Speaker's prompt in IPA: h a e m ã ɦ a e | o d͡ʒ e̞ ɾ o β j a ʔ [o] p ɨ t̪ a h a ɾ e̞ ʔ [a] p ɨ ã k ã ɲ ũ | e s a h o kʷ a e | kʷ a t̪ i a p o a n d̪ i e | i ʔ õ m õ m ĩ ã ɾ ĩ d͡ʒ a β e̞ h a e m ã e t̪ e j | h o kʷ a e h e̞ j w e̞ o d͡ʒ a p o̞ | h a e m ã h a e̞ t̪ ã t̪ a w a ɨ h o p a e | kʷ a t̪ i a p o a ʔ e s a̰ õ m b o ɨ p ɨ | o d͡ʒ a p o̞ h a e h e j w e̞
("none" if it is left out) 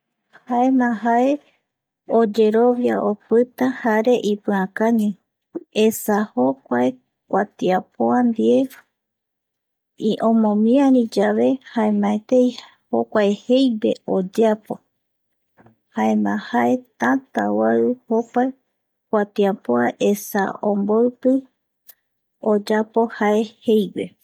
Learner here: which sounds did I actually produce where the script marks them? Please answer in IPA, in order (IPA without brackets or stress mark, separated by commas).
o, i